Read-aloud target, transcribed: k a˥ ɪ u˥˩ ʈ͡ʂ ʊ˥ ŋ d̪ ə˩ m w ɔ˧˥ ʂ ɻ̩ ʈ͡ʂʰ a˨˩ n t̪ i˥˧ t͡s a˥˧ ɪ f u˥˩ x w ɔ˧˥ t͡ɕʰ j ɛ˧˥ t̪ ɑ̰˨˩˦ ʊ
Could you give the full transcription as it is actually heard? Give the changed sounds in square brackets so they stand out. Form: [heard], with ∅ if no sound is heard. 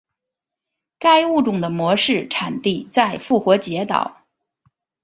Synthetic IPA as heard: k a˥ ɪ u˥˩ ʈ͡ʂ [ʊ˨˩] ŋ d̪ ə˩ m w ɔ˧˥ ʂ ɻ̩ ʈ͡ʂʰ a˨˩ n t̪ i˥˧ t͡s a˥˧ ɪ f u˥˩ x w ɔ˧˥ [t͡ɕ] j ɛ˧˥ t̪ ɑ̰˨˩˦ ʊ

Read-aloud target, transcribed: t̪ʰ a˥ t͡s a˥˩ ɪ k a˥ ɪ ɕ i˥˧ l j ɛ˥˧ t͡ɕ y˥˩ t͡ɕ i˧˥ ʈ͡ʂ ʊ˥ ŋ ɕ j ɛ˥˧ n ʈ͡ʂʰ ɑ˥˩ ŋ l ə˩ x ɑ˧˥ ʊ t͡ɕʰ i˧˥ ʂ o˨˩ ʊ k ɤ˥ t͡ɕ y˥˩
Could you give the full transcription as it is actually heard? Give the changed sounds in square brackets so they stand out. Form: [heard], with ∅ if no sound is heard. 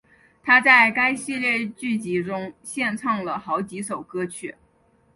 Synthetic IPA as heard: t̪ʰ a˥ t͡s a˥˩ ɪ k a˥ ɪ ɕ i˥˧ l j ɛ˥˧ t͡ɕ y˥˩ t͡ɕ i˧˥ ʈ͡ʂ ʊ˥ ŋ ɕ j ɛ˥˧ n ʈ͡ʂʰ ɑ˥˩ ŋ l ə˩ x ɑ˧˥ ʊ [t͡ɕ] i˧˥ ʂ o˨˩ ʊ k ɤ˥ [t͡ɕʰ] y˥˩

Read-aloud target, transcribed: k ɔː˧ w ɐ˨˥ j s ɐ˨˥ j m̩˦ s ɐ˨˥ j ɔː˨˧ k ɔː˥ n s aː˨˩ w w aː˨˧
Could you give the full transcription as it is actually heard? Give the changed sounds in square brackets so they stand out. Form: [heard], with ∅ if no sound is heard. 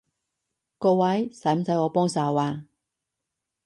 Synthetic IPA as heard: k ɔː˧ w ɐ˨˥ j s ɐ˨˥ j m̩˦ s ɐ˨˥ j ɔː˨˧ [p] ɔː˥ [ŋ] s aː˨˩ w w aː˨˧

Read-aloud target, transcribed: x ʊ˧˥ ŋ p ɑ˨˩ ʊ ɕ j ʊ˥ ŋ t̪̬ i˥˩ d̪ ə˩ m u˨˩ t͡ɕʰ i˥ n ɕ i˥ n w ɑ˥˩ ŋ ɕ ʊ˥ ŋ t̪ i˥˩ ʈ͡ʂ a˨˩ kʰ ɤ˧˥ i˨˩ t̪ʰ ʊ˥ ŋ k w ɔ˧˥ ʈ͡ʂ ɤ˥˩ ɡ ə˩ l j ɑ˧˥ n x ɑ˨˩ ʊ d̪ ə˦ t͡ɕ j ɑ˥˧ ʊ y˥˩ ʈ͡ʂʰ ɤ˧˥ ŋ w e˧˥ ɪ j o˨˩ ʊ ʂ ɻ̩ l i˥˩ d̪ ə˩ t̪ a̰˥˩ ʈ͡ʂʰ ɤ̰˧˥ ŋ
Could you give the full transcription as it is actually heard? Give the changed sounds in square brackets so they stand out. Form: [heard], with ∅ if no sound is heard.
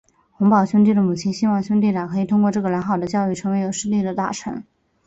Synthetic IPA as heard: x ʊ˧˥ ŋ p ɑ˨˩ ʊ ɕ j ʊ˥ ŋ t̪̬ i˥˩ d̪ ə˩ m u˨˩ t͡ɕʰ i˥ n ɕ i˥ n w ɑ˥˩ ŋ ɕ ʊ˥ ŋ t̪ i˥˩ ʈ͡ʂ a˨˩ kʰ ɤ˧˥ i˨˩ t̪ʰ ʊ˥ ŋ k w [ɔ˥˧] ʈ͡ʂ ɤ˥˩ ɡ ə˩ l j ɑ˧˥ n x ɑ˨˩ ʊ d̪ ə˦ t͡ɕ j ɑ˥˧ ʊ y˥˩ ʈ͡ʂʰ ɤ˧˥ ŋ w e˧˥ ɪ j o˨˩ ʊ ʂ ɻ̩ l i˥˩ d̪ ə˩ t̪ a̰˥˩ ʈ͡ʂʰ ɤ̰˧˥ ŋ

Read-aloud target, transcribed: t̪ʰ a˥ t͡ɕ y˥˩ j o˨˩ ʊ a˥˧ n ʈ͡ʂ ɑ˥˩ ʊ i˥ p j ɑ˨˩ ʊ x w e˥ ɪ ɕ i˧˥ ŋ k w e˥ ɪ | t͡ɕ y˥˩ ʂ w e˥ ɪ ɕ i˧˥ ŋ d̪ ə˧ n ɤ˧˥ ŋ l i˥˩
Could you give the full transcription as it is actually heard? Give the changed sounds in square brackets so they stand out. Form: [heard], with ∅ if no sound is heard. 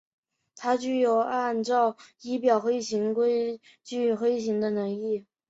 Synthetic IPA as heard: t̪ʰ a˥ t͡ɕ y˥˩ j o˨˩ ʊ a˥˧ n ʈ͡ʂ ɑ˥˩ ʊ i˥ p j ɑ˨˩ ʊ x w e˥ ɪ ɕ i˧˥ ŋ k w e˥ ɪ | t͡ɕ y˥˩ [x] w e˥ ɪ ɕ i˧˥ ŋ d̪ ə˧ n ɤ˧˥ ŋ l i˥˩

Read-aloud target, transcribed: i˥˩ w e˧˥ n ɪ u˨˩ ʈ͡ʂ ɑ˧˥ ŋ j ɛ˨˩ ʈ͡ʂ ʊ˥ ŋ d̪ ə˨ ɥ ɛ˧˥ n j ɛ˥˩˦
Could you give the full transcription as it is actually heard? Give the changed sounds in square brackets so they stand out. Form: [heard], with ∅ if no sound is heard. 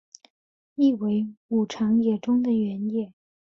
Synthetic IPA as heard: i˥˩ w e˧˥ [∅] ɪ u˨˩ [ʈ͡ʂʰ] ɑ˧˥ ŋ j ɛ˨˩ ʈ͡ʂ ʊ˥ ŋ d̪ ə˨ ɥ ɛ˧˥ n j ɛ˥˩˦

